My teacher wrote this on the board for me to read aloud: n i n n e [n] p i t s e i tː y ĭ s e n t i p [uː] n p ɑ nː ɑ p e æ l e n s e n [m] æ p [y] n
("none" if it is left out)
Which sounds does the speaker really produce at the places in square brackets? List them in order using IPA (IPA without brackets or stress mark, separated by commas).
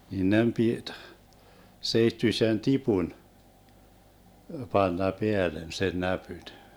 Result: m, u, n, y